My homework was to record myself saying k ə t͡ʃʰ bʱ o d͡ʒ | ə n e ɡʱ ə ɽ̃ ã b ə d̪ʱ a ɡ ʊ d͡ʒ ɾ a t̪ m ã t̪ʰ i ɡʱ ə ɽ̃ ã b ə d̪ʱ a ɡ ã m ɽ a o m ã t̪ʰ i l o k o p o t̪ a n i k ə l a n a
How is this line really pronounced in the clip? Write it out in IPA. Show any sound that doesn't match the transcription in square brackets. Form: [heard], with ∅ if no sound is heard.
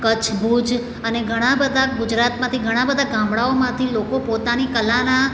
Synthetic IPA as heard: k ə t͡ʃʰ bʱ [u] d͡ʒ | ə n e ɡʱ ə ɽ̃ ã b ə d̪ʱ a ɡ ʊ d͡ʒ ɾ a t̪ m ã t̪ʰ i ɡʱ ə ɽ̃ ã b ə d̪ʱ a ɡ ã m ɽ a o m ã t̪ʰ i l o k o p o t̪ a n i k ə l a n a